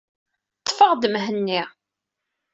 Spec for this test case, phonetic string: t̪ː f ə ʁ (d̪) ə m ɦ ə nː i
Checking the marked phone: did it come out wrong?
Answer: no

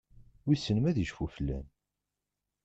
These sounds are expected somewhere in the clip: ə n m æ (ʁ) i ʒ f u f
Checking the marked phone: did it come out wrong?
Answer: yes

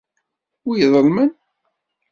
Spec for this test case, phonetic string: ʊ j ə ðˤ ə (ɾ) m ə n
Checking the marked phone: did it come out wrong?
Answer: yes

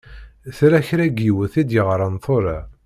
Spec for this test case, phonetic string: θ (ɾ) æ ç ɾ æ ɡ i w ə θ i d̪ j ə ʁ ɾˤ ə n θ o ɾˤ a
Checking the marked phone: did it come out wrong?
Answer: no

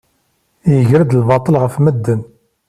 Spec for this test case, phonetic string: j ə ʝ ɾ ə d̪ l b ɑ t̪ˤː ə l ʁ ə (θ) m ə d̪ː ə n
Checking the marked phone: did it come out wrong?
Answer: yes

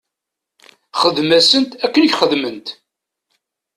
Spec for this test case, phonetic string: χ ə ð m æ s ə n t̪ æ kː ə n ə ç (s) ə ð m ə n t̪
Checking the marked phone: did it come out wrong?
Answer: yes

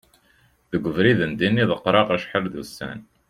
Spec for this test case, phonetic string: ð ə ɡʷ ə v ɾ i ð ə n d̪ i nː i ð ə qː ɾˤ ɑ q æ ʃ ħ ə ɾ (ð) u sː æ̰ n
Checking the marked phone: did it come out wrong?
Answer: no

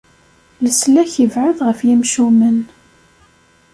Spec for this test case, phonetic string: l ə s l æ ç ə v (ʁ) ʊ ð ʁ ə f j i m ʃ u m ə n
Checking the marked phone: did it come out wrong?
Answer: yes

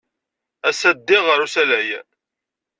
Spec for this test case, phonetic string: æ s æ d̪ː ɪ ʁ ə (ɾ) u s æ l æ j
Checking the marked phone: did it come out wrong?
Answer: no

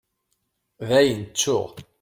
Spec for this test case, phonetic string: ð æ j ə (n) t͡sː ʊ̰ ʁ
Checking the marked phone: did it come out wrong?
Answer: no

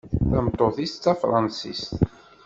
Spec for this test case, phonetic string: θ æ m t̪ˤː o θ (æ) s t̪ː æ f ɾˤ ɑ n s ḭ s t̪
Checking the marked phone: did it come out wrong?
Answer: yes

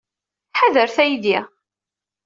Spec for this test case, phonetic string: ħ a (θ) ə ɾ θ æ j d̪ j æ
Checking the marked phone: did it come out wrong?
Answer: yes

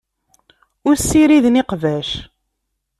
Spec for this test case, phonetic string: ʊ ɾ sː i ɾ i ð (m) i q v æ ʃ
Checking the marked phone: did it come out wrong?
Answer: yes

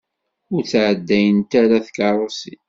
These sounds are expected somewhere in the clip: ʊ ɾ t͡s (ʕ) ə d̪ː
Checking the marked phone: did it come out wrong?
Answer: no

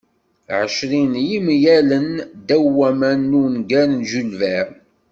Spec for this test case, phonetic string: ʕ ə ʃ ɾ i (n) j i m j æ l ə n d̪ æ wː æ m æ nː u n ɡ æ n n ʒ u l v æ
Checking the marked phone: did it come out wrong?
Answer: no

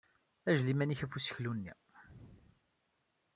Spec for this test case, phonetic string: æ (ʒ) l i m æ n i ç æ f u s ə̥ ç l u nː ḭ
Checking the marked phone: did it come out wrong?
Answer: no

